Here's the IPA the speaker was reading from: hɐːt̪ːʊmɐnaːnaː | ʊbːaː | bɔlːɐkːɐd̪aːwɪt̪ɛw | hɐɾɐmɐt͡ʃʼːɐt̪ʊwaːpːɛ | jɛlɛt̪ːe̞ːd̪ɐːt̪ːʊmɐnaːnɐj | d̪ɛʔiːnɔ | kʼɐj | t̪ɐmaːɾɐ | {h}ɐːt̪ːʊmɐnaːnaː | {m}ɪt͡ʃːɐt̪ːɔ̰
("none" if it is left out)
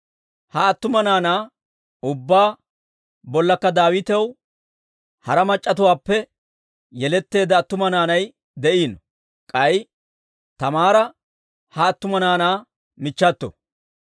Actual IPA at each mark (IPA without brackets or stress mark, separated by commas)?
h, m